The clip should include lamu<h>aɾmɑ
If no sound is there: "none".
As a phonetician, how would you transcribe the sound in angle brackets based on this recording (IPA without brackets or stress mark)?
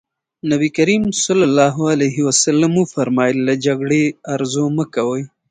f